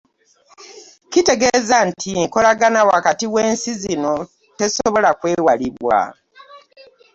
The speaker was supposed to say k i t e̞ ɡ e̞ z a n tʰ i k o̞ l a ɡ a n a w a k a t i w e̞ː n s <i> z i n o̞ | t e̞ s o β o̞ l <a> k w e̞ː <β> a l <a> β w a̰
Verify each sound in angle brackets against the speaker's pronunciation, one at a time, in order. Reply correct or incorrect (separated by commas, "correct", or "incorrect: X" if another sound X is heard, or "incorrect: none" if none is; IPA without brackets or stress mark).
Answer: correct, correct, incorrect: w, incorrect: i